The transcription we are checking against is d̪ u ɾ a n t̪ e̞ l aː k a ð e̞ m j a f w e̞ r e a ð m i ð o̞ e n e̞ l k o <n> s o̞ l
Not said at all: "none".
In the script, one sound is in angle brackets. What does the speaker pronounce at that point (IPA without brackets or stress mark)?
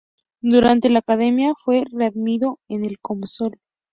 m